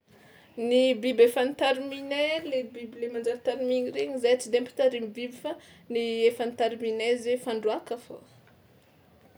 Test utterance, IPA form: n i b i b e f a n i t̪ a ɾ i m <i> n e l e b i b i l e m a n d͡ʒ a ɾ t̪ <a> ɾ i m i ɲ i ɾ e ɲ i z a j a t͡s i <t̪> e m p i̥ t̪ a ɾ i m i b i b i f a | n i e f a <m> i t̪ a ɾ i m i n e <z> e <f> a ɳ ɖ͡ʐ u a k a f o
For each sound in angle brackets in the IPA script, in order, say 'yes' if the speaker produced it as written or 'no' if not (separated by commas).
yes, yes, no, no, yes, yes